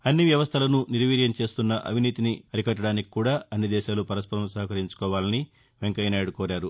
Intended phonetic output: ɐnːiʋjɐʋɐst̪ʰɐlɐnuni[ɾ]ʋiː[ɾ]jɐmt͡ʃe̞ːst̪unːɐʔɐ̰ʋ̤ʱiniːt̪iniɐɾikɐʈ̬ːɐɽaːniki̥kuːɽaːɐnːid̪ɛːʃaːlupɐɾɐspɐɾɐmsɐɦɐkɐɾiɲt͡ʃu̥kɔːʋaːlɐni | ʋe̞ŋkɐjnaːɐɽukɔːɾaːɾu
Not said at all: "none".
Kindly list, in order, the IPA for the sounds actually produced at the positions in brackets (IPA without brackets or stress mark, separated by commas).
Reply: ɾ, ɾ